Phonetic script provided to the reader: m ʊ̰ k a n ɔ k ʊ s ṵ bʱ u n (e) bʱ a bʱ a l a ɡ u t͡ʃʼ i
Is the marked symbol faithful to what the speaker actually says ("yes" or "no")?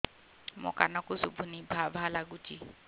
no